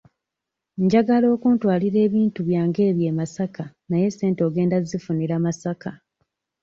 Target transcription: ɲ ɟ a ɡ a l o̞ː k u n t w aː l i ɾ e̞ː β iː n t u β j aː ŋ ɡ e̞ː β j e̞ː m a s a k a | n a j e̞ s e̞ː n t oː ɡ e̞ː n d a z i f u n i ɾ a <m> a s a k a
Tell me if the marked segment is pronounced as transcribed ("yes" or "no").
yes